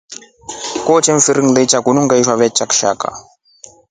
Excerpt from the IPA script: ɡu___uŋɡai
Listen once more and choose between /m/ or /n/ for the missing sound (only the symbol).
n